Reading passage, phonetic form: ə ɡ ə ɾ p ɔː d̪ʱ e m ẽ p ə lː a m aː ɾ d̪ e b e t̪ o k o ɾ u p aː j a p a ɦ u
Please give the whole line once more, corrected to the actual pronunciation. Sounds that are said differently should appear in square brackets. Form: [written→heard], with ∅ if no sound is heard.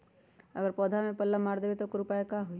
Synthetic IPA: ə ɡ ə ɾ p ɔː d̪ʱ [e→a] m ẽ p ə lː a m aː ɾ d̪ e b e t̪ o k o ɾ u p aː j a [p→k] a ɦ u